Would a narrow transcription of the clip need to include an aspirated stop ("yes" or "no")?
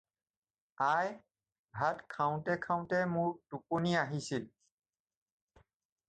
yes